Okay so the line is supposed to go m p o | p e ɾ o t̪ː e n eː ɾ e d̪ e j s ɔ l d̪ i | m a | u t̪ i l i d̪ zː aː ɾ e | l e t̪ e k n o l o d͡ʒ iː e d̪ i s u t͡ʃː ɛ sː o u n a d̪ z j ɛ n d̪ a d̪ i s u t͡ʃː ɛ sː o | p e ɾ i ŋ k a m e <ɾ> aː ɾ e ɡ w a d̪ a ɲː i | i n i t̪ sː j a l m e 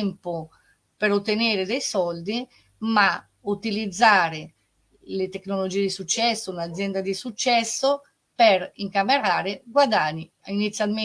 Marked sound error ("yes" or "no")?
no